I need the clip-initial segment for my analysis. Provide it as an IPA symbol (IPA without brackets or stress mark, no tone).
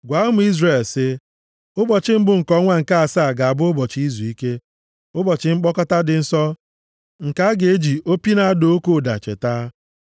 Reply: ɡʷ